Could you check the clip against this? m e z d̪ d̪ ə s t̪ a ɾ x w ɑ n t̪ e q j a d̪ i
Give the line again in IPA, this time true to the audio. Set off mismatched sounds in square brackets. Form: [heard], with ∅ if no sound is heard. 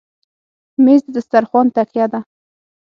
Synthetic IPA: m e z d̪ d̪ ə s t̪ a ɾ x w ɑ n t̪ [a] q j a d̪ [a]